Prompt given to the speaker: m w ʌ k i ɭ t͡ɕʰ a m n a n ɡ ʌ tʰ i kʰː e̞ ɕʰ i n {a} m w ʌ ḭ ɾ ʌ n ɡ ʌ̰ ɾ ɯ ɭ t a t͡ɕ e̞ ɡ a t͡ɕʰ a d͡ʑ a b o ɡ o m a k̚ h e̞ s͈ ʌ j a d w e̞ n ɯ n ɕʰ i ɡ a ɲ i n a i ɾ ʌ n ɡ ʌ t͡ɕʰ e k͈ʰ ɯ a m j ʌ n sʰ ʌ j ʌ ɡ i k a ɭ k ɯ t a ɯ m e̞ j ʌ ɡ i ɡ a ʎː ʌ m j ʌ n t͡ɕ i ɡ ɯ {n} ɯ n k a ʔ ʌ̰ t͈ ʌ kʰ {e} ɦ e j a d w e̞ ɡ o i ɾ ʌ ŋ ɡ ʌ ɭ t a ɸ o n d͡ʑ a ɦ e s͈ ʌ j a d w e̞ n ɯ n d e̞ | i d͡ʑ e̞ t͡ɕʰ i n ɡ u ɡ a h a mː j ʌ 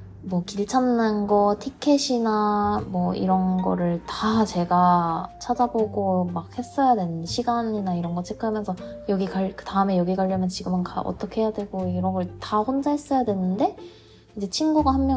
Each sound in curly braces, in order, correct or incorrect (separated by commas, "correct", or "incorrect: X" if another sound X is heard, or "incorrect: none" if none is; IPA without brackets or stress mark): correct, incorrect: m, correct